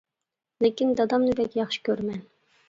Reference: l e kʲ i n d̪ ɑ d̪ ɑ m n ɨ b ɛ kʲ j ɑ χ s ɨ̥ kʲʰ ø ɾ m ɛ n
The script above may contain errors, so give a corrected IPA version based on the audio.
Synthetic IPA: l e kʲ i n d̪ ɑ d̪ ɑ m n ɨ b ɛ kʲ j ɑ χ ʃ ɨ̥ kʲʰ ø ɾ m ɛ n